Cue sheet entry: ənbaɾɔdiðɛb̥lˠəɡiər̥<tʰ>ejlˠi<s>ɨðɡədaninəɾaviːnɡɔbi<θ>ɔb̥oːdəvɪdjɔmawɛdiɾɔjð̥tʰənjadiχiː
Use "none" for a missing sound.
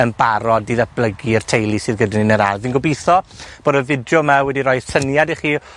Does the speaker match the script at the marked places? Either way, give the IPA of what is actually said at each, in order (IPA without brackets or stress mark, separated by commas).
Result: tʰ, s, θ